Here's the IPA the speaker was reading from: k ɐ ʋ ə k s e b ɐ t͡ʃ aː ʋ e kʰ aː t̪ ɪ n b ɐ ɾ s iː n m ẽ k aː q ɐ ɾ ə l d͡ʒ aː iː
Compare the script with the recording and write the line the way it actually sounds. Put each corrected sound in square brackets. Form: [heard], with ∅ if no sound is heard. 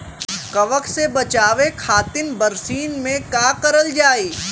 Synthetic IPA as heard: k ɐ ʋ ə k s e b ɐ t͡ʃ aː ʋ e kʰ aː t̪ ɪ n b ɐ ɾ s iː n m ẽ k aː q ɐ ɾ ə l d͡ʒ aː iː